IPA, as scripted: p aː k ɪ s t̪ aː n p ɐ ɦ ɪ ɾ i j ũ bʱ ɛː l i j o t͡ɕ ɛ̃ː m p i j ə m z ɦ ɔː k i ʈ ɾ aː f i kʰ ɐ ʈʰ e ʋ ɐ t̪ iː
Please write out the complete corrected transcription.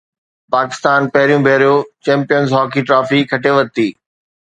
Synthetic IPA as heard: p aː k ɪ s t̪ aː n p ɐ ɦ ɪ ɾ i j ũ bʱ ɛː ɾ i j o t͡ɕ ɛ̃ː m p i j ə n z ɦ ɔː k i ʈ ɾ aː f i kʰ ɐ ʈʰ e ʋ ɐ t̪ iː